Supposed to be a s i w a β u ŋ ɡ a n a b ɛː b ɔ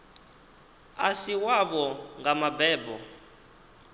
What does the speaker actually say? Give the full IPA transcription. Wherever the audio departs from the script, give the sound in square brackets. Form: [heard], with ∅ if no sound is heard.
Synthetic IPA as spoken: a s i w a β [ɔ] ŋ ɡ a [m] a b ɛː b ɔ